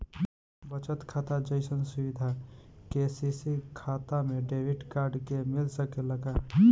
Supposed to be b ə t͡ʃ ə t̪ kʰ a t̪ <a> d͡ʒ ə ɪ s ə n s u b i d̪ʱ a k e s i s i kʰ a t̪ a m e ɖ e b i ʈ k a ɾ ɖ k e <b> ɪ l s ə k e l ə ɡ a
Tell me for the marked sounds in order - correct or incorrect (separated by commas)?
correct, incorrect